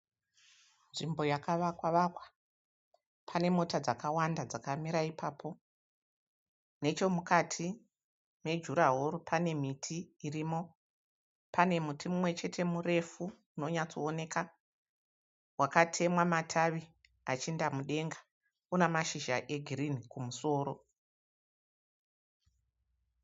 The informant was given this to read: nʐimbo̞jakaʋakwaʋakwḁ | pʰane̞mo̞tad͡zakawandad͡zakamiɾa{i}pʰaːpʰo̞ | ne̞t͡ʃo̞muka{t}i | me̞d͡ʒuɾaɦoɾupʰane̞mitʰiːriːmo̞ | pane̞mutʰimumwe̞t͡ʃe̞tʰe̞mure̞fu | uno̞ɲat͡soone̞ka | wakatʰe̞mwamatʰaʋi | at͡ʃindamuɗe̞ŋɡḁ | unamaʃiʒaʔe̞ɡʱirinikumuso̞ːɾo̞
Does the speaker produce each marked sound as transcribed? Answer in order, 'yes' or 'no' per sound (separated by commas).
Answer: yes, no